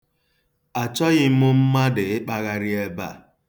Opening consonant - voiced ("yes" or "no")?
no